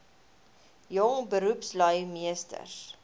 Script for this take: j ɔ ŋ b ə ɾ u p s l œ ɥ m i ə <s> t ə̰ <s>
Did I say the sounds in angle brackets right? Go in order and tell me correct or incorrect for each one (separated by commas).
correct, correct